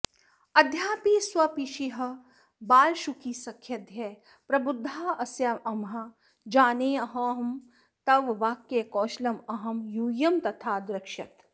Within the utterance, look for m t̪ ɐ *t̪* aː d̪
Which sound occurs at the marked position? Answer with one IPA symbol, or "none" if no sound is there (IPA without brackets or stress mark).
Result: t̪ʰ